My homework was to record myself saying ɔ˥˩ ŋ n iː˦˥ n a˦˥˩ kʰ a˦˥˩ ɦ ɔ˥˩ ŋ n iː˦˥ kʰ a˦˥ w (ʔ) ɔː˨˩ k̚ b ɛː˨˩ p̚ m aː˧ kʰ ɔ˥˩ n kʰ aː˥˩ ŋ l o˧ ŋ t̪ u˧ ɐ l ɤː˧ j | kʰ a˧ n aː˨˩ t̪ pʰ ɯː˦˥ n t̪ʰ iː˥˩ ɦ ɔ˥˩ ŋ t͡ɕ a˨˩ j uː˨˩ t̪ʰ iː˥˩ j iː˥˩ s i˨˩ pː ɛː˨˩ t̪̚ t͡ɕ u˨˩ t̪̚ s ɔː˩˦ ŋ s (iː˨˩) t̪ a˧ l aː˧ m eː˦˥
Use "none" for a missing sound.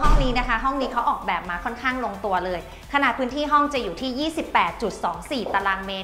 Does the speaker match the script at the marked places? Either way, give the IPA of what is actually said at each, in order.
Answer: ʔ, iː˨˩

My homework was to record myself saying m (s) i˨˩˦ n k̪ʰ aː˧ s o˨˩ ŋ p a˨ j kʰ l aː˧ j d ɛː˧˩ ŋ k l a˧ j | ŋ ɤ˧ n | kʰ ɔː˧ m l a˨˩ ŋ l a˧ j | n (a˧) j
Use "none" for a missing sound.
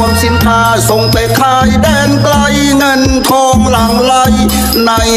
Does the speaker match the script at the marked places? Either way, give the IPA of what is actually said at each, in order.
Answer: s, a˧

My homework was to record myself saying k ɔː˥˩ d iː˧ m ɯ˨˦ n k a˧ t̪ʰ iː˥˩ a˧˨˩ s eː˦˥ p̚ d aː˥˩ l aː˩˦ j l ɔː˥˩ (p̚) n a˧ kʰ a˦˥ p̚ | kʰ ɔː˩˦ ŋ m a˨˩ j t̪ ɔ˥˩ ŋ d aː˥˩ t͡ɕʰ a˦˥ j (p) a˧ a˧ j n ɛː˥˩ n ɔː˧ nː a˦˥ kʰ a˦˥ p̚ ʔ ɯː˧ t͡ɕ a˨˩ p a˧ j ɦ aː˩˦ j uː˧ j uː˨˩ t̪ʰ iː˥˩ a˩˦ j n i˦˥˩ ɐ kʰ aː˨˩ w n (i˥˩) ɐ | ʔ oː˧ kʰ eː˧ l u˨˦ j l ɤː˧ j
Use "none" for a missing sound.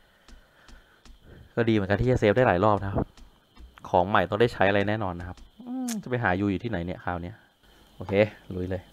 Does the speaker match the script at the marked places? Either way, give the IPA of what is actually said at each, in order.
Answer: p̚, ʔ, i˦˥

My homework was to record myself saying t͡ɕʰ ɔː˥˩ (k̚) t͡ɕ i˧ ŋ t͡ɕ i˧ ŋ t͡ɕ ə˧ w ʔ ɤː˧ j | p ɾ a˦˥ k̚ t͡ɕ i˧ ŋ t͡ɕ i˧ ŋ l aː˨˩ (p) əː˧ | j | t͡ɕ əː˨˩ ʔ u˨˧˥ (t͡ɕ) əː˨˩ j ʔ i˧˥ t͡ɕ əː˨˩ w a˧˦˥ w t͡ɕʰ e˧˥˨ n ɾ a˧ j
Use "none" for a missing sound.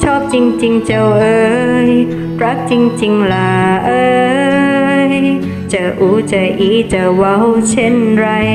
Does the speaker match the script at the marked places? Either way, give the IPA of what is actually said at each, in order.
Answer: p̚, ʔ, t͡ɕ

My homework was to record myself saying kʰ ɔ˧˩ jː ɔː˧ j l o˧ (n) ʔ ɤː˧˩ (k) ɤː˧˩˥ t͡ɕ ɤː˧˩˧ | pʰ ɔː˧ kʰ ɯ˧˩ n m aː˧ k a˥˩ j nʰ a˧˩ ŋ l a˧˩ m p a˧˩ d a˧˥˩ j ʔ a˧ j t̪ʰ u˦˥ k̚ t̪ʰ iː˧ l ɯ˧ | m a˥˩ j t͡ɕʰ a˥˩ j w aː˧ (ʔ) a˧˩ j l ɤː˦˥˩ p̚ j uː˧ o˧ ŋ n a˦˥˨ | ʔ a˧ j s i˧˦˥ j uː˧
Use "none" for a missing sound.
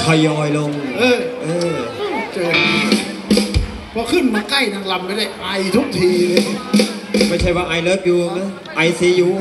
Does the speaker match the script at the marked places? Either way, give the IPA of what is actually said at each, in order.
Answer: ŋ, ʔ, ʔ

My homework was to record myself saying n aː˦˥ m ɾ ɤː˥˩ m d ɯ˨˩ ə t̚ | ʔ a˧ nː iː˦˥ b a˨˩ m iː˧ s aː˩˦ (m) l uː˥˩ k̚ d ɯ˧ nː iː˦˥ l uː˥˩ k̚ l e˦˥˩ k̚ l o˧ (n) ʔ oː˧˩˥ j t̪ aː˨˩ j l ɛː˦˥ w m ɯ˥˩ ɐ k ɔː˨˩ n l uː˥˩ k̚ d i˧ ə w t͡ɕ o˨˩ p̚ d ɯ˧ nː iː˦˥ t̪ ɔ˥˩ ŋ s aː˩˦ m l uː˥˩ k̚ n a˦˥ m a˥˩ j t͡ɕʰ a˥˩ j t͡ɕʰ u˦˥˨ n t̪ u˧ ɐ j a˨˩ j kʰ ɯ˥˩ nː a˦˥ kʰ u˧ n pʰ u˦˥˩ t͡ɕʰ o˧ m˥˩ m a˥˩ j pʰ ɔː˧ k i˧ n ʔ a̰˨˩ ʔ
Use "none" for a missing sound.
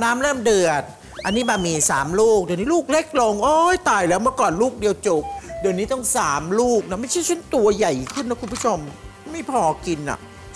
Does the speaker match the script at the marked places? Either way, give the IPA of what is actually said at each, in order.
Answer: m, ŋ

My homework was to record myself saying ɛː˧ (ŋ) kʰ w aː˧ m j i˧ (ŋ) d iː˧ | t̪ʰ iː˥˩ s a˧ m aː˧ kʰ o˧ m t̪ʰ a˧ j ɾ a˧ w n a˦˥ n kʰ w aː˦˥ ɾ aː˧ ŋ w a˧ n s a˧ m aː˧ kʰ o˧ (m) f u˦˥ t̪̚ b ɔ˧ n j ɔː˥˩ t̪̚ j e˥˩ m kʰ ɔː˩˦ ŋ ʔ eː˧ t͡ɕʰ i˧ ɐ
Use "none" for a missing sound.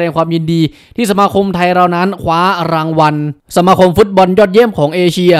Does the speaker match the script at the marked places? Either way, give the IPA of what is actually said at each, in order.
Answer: ŋ, n, m

